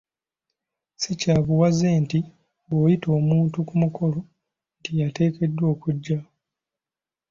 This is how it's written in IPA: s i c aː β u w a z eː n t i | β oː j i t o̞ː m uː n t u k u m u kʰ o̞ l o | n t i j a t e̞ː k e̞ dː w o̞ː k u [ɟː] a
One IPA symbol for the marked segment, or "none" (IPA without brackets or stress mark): ɟː